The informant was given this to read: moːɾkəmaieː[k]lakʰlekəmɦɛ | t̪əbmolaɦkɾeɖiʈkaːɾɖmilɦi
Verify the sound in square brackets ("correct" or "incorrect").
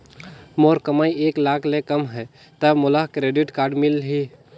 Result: correct